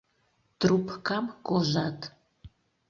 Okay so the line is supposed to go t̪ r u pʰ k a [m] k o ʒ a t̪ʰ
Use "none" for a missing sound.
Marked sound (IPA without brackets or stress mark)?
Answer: m